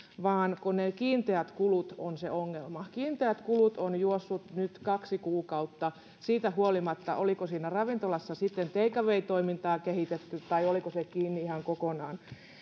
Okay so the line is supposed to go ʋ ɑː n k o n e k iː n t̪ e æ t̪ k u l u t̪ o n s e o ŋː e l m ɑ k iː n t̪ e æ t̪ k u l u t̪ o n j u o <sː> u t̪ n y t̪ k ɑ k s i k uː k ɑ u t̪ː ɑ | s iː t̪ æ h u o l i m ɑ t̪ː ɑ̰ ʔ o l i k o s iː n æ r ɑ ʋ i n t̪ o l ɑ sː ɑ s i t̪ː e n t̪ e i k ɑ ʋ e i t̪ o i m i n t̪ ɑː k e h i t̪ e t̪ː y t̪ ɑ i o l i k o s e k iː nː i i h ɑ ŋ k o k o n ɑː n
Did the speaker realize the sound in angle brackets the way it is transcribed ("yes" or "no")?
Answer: yes